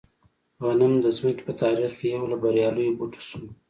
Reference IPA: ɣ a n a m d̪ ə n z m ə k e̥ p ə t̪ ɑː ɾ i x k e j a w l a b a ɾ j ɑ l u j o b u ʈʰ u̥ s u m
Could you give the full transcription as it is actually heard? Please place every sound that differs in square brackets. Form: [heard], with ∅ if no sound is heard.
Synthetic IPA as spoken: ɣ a n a m d̪ ə [∅] z m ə k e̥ p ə t̪ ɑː ɾ i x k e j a w l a b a ɾ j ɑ l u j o b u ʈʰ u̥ s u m